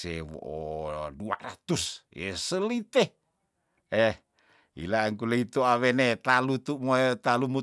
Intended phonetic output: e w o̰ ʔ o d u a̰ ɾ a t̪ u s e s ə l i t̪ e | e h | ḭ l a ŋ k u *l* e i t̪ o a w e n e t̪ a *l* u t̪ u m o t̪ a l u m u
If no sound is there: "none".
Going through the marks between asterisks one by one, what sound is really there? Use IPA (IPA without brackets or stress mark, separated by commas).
l, l